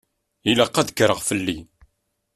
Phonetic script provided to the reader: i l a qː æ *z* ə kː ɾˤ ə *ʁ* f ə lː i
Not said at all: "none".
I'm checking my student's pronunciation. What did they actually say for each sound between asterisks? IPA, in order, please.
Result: ð, ʁ

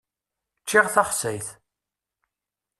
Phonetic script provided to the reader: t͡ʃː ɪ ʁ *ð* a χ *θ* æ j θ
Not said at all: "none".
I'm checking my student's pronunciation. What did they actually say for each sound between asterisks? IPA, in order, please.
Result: θ, s

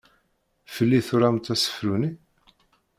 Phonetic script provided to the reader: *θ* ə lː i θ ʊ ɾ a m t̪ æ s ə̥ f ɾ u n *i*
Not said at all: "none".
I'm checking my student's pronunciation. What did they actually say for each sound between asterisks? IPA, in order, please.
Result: f, i

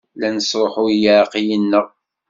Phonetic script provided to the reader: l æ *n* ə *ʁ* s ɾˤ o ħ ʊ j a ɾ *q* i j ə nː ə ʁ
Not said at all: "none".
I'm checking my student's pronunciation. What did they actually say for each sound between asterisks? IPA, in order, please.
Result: n, none, q

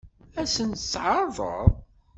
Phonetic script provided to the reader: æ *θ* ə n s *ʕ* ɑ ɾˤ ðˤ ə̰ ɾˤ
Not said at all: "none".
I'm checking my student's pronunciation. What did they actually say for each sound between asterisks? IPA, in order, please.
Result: s, ʕ

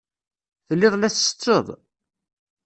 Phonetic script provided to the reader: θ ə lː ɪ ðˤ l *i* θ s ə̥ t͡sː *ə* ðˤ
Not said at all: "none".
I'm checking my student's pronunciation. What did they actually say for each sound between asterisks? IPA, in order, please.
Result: æ, ə

